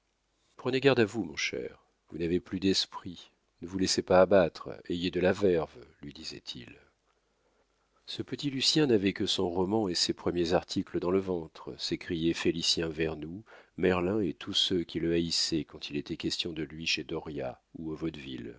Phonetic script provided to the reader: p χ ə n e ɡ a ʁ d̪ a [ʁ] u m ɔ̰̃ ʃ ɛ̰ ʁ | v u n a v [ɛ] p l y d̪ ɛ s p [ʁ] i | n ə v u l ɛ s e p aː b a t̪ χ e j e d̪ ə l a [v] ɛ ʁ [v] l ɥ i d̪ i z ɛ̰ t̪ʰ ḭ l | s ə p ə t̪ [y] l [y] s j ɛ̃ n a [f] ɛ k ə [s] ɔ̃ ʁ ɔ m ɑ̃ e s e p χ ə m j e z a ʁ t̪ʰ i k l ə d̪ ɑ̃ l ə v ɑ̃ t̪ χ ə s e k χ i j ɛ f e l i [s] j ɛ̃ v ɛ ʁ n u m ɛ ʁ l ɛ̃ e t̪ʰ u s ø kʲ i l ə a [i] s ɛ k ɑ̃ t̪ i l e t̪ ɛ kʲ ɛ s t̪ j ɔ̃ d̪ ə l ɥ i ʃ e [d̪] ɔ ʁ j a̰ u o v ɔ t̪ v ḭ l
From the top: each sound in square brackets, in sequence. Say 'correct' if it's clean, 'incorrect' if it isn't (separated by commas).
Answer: incorrect, incorrect, incorrect, correct, correct, incorrect, correct, incorrect, correct, correct, correct, correct